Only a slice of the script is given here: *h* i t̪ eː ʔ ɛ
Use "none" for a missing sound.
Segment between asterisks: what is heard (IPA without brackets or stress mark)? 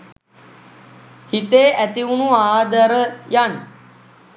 h